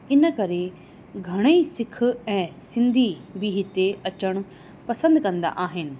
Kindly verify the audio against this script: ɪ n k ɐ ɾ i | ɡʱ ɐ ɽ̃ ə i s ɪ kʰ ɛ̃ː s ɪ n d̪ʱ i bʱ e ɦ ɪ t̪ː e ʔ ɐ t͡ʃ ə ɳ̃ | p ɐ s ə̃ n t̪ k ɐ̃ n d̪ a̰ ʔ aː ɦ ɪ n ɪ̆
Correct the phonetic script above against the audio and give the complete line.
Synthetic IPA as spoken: ɪ n k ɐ ɾ e | ɡʱ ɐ ɽ̃ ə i s ɪ kʰ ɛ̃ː s ɪ n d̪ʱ i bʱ i ɦ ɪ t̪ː e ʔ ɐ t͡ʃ ə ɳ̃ | p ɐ s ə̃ n d̪ k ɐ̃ n d̪ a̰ ʔ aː ɦ ɪ n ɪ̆